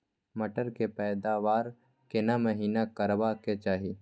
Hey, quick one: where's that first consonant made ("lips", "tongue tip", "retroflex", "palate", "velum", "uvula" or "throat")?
lips